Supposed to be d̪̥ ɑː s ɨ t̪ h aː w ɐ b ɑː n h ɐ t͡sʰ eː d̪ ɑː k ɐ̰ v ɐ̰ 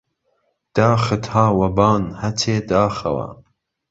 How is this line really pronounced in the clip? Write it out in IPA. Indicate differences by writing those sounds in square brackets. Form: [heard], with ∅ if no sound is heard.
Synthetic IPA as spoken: d̪̥ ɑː [x] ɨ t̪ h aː w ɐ b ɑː n h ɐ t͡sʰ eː d̪ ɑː [x] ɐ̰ [w] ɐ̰